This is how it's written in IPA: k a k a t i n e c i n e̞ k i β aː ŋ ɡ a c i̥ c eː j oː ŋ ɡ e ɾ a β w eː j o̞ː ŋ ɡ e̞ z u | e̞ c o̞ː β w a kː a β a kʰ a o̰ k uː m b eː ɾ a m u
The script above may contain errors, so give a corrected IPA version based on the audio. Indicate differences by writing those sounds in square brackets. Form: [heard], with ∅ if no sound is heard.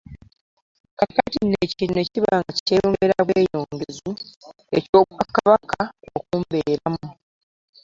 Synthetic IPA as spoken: k a k a t i n e c i n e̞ [c] i β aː ŋ ɡ a c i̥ [t] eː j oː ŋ ɡ e ɾ a β w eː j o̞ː ŋ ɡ e̞ z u | e̞ c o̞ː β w a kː a β a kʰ a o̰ k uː m b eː ɾ a m u